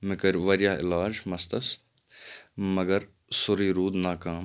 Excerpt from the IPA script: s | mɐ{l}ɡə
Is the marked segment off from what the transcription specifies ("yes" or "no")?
yes